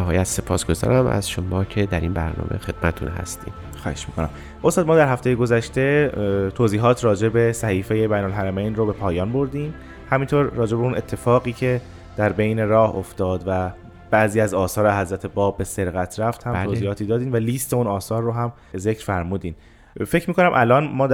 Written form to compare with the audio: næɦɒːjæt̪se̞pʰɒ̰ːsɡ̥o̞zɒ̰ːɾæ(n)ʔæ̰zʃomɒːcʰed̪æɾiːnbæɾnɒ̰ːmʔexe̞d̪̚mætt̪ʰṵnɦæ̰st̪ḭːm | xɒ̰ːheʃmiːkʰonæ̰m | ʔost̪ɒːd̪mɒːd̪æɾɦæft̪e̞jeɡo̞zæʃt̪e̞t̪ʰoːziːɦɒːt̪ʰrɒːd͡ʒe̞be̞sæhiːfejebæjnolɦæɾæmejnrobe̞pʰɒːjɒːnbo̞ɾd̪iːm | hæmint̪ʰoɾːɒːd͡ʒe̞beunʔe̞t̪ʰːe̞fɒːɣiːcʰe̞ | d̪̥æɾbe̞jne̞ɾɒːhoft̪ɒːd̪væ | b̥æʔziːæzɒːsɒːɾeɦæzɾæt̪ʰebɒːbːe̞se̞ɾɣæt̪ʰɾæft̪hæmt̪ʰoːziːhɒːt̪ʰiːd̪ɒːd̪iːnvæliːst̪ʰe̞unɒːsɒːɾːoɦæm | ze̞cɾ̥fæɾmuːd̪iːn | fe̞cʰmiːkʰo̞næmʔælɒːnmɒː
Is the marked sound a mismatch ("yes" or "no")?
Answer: yes